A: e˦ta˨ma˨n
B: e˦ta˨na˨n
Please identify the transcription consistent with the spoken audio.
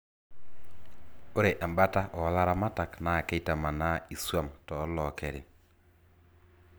A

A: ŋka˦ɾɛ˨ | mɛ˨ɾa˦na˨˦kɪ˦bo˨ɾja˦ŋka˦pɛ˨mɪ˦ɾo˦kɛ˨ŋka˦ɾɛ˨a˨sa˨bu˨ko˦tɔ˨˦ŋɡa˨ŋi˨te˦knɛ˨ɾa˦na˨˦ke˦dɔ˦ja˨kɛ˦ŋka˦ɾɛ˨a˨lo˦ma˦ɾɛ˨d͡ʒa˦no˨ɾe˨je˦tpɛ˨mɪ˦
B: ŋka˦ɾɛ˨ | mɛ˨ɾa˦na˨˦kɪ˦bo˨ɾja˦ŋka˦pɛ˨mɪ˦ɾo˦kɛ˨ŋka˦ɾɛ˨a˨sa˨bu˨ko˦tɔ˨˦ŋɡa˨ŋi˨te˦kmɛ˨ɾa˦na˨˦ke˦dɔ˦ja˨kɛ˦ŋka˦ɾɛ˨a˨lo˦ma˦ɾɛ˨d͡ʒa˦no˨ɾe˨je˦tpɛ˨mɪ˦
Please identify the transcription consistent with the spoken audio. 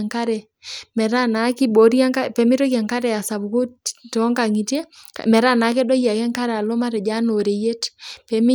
B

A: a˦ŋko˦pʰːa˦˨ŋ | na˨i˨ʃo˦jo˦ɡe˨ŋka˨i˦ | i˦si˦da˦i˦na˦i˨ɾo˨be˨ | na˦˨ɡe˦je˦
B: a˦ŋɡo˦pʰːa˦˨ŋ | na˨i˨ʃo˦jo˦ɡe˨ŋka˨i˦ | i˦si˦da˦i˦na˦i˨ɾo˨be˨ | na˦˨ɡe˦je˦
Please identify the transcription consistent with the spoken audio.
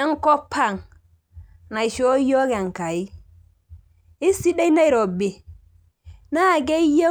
A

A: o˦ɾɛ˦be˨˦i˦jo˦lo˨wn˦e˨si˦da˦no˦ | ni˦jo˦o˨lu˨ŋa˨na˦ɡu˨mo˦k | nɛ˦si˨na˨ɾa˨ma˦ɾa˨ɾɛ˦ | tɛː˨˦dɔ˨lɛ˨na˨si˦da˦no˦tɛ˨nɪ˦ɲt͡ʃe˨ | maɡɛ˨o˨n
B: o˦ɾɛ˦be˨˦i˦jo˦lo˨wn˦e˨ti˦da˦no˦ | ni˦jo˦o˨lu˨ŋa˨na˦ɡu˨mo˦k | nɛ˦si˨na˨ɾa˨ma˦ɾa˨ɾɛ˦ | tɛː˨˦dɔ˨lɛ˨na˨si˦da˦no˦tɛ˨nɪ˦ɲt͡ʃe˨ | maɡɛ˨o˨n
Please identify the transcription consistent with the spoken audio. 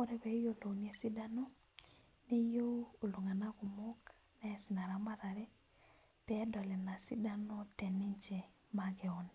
A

